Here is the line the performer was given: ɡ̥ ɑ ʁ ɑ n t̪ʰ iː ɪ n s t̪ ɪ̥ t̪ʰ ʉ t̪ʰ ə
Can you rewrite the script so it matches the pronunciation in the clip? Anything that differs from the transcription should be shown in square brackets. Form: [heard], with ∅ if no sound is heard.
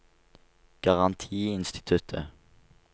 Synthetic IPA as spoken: ɡ̥ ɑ ʁ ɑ n t̪ʰ iː ɪ n s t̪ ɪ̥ t̪ʰ ʉ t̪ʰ ə